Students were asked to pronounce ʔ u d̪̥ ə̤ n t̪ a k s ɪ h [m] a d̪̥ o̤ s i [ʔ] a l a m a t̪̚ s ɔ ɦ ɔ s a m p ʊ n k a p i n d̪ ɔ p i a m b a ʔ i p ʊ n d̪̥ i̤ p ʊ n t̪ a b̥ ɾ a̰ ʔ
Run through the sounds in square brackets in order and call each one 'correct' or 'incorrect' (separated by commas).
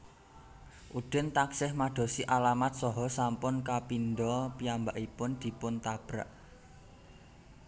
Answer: correct, correct